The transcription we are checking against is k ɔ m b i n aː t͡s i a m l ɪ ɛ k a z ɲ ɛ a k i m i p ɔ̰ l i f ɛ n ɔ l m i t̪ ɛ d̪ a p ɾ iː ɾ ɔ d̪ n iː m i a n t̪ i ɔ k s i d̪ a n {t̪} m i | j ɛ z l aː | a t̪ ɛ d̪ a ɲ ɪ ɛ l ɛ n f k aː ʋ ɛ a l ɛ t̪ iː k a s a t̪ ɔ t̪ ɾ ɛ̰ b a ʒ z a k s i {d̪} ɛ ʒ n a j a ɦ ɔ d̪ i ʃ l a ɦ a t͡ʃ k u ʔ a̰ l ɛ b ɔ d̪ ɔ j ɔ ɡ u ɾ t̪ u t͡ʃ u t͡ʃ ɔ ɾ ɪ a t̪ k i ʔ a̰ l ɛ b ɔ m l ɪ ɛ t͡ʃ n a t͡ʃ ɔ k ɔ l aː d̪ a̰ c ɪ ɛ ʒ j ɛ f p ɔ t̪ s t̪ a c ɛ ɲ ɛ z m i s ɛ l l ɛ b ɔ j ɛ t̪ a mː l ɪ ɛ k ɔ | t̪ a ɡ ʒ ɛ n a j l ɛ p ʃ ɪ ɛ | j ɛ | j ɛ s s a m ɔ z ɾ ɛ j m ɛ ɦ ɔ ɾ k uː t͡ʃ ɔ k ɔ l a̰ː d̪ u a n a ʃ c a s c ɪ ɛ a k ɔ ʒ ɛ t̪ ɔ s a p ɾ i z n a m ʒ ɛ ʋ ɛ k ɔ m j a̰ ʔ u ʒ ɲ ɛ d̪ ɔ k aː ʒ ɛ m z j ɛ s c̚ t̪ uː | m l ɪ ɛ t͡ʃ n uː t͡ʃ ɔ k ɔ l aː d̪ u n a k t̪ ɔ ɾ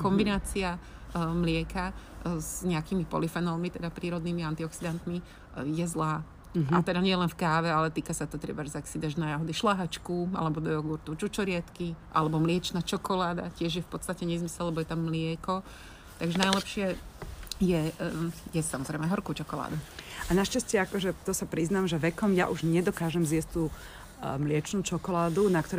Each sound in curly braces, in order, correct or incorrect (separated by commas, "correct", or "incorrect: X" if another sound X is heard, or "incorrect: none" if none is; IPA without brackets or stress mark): correct, correct